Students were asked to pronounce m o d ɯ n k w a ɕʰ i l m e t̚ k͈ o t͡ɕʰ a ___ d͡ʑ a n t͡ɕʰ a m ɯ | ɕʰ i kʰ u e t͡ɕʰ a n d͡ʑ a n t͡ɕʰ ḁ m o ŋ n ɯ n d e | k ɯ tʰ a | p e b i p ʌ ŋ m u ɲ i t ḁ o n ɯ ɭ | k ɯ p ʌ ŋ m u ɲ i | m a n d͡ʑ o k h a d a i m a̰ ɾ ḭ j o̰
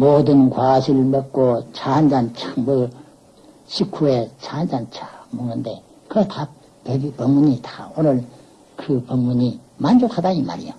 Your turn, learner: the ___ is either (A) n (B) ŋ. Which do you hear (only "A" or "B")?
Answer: A